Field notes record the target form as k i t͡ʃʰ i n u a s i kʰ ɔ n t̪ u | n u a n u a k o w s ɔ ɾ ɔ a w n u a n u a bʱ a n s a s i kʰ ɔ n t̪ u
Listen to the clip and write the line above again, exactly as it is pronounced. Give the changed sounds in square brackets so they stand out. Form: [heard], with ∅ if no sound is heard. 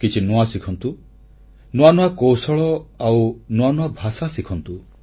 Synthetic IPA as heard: k i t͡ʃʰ i n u a s i kʰ ɔ n t̪ u | n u a n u a k o w s ɔ [ɭ] ɔ a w n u a n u a bʱ a [∅] s a s i kʰ ɔ n t̪ u